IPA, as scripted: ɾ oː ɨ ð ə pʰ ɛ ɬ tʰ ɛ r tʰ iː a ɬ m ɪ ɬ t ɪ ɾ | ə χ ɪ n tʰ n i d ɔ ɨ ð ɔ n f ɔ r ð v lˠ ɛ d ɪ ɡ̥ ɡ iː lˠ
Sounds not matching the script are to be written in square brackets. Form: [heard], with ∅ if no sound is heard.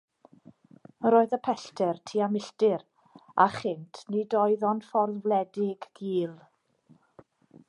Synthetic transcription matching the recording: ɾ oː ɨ ð ə pʰ ɛ ɬ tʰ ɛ r tʰ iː a [∅] m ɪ ɬ t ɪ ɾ | [a] χ ɪ n tʰ n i d ɔ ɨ ð ɔ n f ɔ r ð v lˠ ɛ d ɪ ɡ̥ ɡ iː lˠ